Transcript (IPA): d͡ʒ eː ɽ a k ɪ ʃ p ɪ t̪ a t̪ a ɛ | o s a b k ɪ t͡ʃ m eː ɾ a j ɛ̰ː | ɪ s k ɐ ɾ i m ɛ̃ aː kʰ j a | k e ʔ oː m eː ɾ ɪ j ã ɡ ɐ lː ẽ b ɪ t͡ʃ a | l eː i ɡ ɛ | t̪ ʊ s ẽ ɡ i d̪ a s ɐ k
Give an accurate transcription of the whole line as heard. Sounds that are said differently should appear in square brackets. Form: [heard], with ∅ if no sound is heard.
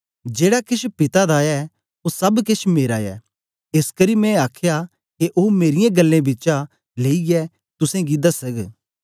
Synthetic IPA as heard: d͡ʒ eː ɽ a k ɪ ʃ p ɪ t̪ a [d̪] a ɛ | o s [ɐ] b k ɪ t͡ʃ m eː ɾ a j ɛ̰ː | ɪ s k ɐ ɾ i m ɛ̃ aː kʰ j a | k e ʔ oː m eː ɾ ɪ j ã ɡ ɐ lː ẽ b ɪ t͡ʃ a | l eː i ɡ ɛ | t̪ ʊ s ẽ ɡ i d̪ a s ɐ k